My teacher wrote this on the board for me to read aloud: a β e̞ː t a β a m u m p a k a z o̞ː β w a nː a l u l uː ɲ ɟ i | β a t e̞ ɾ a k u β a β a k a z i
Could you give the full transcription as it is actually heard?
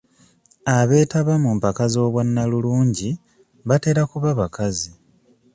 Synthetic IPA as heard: a β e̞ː t a β a m u m p a k a z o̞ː β w a nː a l u l uː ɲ ɟ i | β a t e̞ ɾ a k u β a β a k a z i